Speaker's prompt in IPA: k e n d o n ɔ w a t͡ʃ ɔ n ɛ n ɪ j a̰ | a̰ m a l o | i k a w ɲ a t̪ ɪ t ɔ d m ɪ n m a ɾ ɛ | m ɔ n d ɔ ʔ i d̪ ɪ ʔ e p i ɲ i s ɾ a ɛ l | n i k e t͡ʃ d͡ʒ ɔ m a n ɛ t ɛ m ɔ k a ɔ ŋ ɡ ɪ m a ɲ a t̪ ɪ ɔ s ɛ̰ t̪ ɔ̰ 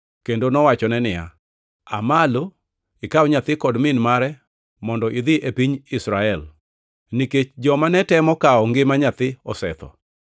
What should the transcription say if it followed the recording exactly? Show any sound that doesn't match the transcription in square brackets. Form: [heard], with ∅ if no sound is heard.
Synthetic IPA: k e n d o n ɔ w a t͡ʃ ɔ n ɛ n ɪ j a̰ | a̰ m a l o | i k a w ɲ a t̪ ɪ [k] ɔ d m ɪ n m a ɾ ɛ | m ɔ n d ɔ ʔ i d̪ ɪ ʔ e p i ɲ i s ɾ a ɛ l | n i k e t͡ʃ d͡ʒ ɔ m a n ɛ t ɛ m ɔ k a ɔ ŋ ɡ ɪ m a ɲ a t̪ ɪ ɔ s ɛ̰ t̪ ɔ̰

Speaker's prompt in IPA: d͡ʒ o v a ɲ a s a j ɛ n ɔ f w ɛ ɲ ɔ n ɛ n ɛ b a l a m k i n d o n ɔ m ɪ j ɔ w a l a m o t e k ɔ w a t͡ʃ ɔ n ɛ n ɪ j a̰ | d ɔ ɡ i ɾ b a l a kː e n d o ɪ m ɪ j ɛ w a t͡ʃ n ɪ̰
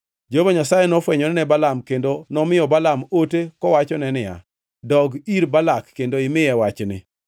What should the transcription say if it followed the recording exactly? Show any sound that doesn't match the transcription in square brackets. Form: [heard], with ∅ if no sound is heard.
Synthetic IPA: d͡ʒ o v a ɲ a s a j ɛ n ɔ f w ɛ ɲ ɔ n ɛ n ɛ b a l a m k [e] n d o n ɔ m ɪ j ɔ [b] a l a m o t e k ɔ w a t͡ʃ ɔ n ɛ n ɪ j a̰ | d ɔ ɡ i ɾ b a l a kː e n d o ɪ m ɪ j ɛ w a t͡ʃ n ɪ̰

